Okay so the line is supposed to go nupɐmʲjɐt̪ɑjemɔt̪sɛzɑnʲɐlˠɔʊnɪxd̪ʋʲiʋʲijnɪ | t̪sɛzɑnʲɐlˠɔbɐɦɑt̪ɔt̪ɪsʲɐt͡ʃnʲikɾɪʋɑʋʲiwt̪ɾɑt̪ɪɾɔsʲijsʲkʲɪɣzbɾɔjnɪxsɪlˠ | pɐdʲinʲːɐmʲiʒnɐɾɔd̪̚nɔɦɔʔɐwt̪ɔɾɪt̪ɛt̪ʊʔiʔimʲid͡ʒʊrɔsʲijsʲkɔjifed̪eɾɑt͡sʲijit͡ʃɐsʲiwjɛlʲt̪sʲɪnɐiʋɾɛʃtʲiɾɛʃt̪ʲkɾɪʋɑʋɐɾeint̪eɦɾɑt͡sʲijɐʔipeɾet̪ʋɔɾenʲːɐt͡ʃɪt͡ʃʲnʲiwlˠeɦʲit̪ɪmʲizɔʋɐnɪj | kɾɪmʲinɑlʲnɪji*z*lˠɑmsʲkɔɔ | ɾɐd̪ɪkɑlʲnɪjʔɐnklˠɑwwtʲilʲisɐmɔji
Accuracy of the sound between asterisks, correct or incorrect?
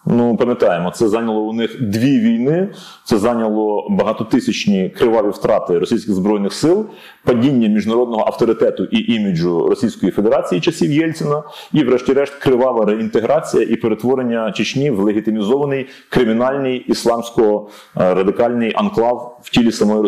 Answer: incorrect